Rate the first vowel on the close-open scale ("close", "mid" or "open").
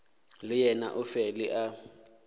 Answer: close